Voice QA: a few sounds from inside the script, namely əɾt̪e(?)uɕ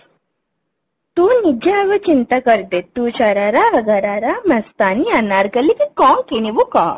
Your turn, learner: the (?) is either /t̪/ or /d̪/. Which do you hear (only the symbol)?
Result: t̪